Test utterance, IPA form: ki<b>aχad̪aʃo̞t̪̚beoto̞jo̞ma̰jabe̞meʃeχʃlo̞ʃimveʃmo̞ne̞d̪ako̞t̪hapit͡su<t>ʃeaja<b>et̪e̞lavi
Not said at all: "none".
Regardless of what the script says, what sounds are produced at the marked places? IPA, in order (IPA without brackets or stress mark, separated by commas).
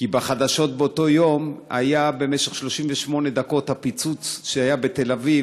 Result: b, t͡s, b